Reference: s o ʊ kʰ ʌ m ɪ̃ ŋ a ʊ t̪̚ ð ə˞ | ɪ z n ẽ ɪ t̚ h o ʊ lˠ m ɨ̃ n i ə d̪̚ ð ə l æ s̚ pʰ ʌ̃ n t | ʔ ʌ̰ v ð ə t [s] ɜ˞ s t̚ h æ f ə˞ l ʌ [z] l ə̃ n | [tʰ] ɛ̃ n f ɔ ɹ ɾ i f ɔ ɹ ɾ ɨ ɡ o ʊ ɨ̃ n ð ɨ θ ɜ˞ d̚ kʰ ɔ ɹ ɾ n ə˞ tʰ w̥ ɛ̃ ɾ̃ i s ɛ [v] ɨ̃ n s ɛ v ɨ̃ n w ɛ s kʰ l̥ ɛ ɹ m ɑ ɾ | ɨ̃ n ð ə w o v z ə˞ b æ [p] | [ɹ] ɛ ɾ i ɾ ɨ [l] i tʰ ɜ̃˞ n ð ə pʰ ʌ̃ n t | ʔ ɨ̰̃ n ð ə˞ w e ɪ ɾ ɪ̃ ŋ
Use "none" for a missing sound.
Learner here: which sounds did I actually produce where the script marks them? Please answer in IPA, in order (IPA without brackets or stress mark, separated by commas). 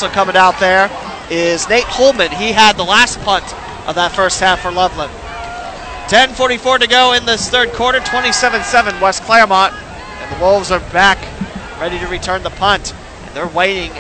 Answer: f, v, tʰ, v, k, ɹ, ɹ